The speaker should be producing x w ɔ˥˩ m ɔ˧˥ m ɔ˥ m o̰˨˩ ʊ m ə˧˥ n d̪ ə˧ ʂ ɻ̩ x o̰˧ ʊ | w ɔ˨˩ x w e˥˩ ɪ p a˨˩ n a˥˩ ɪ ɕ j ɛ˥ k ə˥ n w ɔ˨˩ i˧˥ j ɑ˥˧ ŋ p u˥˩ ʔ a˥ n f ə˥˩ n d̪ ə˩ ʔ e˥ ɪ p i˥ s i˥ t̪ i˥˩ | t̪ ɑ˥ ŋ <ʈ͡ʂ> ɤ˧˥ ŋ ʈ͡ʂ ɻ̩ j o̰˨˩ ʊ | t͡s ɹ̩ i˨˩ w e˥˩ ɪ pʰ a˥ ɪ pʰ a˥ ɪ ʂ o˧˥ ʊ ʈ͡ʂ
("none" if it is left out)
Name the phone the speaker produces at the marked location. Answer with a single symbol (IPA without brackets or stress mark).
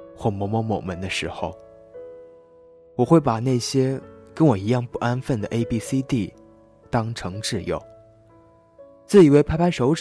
ʈ͡ʂʰ